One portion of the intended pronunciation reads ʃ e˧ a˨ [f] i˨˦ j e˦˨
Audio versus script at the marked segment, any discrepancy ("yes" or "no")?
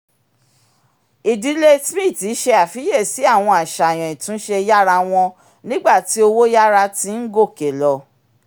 no